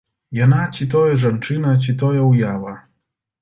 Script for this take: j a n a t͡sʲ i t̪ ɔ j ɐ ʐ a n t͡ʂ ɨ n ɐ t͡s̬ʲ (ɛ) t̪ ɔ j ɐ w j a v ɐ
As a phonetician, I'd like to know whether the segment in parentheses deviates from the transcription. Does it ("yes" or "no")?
yes